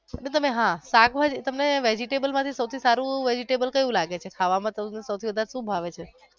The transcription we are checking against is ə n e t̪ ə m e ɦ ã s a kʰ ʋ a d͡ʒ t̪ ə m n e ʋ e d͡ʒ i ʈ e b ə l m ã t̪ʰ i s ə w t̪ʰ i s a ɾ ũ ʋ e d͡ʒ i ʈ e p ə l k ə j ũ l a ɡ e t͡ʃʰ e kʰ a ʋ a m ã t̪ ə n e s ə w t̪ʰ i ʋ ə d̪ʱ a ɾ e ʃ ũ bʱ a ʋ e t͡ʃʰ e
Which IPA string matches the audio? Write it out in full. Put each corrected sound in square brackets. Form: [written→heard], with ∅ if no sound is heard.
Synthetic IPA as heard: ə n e t̪ ə m e ɦ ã s a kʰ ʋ a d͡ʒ t̪ ə m n e ʋ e d͡ʒ i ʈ e b ə l m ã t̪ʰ i s ə w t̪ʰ i s a ɾ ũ ʋ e d͡ʒ i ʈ e [p→b] ə l k ə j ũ l a ɡ e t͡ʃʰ e kʰ a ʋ a m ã t̪ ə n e s ə w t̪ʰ i ʋ ə d̪ʱ a ɾ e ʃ ũ bʱ a ʋ e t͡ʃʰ e

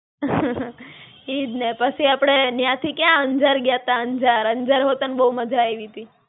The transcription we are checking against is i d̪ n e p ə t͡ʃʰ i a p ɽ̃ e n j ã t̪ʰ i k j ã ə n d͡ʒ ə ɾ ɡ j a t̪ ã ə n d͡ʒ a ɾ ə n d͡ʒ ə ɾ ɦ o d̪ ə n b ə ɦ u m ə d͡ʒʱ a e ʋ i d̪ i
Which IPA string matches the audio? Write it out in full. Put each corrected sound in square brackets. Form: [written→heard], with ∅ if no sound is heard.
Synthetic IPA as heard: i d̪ n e p ə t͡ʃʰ i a p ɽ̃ e n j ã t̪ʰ i k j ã ə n d͡ʒ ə ɾ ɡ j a t̪ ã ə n d͡ʒ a ɾ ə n d͡ʒ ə ɾ ɦ o [d̪→t̪] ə n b ə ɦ u m ə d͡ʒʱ a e ʋ i [d̪→t̪] i

